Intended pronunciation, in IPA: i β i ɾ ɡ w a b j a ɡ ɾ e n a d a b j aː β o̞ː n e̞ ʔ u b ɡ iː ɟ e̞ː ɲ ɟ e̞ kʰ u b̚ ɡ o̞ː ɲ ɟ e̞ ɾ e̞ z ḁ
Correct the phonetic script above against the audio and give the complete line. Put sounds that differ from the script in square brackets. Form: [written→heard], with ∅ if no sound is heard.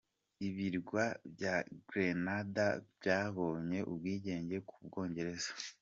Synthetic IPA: i β i ɾ ɡ w a b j a ɡ ɾ e n a d a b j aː β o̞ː [n→ɲ] e̞ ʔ u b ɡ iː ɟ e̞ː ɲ ɟ e̞ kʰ u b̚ ɡ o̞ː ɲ ɟ e̞ ɾ e̞ z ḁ